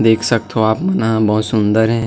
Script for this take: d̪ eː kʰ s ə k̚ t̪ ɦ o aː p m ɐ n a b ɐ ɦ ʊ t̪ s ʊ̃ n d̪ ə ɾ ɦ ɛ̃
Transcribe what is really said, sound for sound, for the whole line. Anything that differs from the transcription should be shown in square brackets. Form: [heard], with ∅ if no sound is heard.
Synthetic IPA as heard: d̪ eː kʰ s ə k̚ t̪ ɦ o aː p m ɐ n a b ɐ ɦ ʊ t̪ s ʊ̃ n d̪ ə ɾ ɦ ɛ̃